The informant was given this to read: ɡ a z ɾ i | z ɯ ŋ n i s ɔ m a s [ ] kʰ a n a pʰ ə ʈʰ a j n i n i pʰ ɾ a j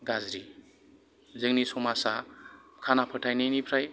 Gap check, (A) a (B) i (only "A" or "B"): A